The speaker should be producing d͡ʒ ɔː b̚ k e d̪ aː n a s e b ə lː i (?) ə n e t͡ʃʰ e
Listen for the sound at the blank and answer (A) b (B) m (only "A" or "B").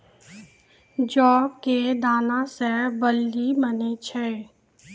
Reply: B